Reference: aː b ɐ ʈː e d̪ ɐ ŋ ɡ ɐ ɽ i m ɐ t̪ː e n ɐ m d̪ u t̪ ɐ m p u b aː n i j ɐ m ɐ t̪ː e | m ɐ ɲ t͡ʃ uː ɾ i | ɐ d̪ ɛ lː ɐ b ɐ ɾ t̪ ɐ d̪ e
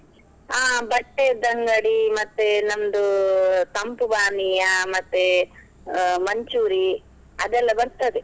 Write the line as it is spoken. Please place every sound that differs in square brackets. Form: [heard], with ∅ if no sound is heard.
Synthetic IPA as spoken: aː b ɐ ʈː e d̪ ɐ ŋ ɡ ɐ ɽ i m ɐ t̪ː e n ɐ m d̪ u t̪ ɐ m p u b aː n i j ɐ m ɐ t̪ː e | m ɐ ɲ t͡ʃ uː ɾ i | ɐ d̪ ɛ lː ɐ b ɐ ɾ t̪ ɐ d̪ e